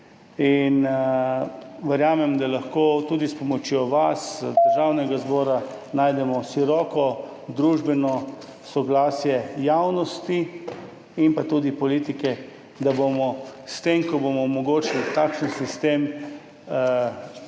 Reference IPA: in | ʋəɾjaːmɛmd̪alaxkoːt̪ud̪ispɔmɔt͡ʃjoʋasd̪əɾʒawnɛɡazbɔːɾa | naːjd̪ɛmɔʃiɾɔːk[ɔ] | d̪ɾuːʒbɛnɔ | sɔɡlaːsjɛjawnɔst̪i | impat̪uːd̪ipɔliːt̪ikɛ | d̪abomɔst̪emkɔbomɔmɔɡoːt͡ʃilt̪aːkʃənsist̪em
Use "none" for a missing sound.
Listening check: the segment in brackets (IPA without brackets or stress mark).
ɔ